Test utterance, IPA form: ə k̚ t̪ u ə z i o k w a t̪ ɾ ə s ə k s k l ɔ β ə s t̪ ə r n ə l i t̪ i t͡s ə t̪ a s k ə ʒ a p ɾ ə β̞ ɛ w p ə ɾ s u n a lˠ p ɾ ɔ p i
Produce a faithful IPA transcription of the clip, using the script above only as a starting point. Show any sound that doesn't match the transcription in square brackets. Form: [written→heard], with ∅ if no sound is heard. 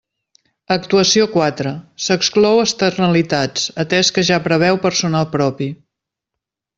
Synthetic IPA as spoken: ə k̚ t̪ u ə [z→s] i o k w a t̪ ɾ ə s ə k s k l ɔ [β→w] ə s t̪ ə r n ə l i t̪ [i→a] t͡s ə t̪ [a→ɛ] s k ə ʒ a p ɾ ə β̞ ɛ w p ə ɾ s u n a lˠ p ɾ ɔ p i